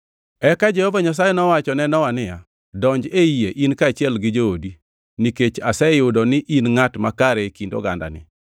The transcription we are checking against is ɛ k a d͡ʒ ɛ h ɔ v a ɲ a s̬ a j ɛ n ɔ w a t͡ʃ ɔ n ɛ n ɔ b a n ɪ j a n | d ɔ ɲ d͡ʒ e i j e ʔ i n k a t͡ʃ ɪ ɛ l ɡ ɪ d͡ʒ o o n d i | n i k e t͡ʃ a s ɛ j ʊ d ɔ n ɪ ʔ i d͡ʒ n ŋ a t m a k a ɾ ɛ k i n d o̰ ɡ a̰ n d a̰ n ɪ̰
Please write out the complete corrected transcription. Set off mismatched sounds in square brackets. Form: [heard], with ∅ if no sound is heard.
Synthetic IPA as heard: ɛ k a d͡ʒ ɛ h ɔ v a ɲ a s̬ a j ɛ n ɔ w a t͡ʃ ɔ n ɛ n ɔ [w] a n ɪ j a [∅] | d ɔ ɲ d͡ʒ e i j e ʔ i n k a t͡ʃ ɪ ɛ l ɡ ɪ d͡ʒ o o [∅] d i | n i k e t͡ʃ a s ɛ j ʊ d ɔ n ɪ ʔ i [∅] n ŋ a t m a k a ɾ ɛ k i n d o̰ ɡ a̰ n d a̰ n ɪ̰

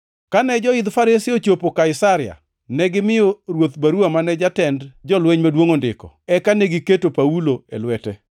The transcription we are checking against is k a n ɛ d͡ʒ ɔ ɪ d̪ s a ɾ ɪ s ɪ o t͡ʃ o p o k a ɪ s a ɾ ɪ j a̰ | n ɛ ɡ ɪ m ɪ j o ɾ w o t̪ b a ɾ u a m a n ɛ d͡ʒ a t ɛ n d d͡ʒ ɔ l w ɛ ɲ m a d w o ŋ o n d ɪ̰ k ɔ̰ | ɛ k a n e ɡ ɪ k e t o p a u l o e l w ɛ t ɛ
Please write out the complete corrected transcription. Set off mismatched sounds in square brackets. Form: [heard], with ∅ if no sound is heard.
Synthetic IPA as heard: k a n ɛ d͡ʒ ɔ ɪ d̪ [f] a ɾ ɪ s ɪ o t͡ʃ o p o k a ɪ s a ɾ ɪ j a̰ | n ɛ ɡ ɪ m ɪ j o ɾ w o t̪ b a ɾ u a m a n ɛ d͡ʒ a t ɛ n d d͡ʒ ɔ l w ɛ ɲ m a d w o ŋ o n d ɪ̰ k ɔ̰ | ɛ k a n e ɡ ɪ k e t o p a u l o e l w ɛ t ɛ

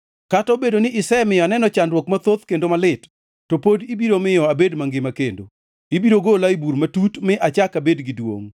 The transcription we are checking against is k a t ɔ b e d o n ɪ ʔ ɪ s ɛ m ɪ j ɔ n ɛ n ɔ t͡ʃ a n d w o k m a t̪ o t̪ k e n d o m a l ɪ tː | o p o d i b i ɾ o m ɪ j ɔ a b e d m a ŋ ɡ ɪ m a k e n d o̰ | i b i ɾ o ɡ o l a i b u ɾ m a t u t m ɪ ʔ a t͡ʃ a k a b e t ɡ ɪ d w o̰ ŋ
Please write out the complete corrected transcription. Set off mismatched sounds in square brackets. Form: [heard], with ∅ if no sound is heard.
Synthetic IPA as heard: k a t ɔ b e d o n ɪ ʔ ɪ s ɛ m ɪ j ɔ n ɛ n ɔ t͡ʃ a n d w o k m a t̪ o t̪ k e n d o m a l ɪ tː | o p o d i b i ɾ o m ɪ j ɔ a b e d m a ŋ ɡ ɪ m a k e n d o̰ | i b i ɾ o ɡ o l a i b u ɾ m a t u t m ɪ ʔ a t͡ʃ a k a b e [d] ɡ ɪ d w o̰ ŋ

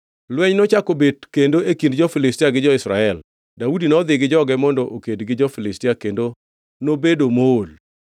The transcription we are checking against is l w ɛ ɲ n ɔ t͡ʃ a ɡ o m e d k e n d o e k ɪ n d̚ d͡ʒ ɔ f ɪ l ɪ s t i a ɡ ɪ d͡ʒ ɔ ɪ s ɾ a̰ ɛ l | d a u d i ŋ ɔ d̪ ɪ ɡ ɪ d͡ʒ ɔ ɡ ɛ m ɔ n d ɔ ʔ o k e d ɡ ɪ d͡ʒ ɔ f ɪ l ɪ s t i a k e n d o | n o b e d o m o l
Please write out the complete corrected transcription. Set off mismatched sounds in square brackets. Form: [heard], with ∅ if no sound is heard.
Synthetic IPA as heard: l w ɛ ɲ n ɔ t͡ʃ a [k] o [b] e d k e n d o e k [i] n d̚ d͡ʒ ɔ f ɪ l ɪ s t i a ɡ ɪ d͡ʒ ɔ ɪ s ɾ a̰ ɛ l | d a u d i [n] ɔ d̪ ɪ ɡ ɪ d͡ʒ ɔ ɡ ɛ m ɔ n d ɔ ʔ o k e d ɡ ɪ d͡ʒ ɔ f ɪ l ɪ s t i a k e n d o | n o b e d o m o l

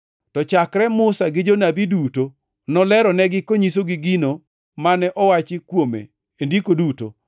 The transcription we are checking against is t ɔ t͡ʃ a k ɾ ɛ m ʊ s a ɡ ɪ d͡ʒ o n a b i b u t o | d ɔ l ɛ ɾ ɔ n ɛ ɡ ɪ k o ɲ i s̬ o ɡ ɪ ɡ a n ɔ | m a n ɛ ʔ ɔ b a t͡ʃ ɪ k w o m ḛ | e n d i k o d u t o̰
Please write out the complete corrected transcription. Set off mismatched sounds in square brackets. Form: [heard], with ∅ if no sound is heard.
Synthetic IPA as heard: t ɔ t͡ʃ a k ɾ ɛ m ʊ s a ɡ ɪ d͡ʒ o n a b i [d] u t o | [n] ɔ l ɛ ɾ ɔ n ɛ ɡ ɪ k o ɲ i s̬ o ɡ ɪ ɡ [i] n [o] | m a n ɛ ʔ ɔ [w] a t͡ʃ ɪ k w o m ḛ | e n d i k o d u t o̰

